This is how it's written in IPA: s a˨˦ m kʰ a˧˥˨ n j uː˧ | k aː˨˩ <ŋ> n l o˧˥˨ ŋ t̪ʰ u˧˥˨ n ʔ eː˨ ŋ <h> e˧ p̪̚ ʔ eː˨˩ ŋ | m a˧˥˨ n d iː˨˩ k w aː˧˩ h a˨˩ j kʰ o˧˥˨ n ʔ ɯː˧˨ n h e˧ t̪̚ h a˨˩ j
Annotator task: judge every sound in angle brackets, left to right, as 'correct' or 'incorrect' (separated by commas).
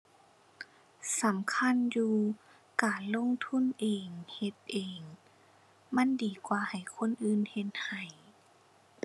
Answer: incorrect, correct